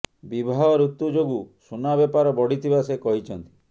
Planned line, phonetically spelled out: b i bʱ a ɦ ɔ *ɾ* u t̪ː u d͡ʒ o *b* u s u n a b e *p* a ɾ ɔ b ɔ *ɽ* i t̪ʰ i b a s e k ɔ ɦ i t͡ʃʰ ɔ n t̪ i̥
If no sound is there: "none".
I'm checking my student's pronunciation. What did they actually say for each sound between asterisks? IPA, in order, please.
ɾ, ɡ, p, ɽ

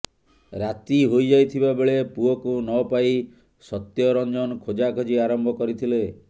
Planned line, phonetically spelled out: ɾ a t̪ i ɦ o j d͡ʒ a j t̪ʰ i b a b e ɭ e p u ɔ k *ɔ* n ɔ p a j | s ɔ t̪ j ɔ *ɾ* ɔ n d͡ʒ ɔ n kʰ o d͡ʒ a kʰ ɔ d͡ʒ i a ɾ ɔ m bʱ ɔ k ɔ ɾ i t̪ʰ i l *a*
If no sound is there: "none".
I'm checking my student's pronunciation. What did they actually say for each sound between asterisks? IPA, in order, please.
u, ɾ, e

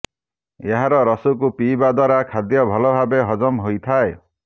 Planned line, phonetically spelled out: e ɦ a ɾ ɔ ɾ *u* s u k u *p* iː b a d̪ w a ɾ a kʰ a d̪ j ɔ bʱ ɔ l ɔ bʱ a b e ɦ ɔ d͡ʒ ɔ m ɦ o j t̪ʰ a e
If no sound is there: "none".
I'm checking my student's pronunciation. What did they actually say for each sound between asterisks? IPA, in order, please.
ɔ, p

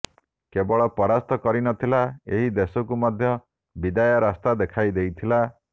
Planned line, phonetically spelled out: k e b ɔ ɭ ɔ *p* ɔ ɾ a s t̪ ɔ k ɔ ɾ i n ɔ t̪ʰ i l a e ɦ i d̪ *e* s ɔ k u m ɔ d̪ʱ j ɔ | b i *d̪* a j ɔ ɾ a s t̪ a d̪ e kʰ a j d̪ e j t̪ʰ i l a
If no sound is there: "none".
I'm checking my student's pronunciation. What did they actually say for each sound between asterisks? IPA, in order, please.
p, e, d̪

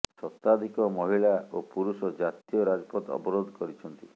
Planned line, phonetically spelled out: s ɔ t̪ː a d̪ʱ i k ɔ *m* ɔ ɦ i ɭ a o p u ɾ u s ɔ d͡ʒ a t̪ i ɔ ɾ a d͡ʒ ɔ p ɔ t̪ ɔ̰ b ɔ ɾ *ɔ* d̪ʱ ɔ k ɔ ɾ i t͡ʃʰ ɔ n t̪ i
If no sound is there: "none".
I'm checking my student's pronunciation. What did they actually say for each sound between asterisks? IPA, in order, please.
m, o

